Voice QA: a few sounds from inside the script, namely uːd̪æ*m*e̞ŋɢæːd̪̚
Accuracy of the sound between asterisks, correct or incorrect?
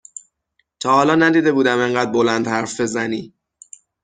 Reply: correct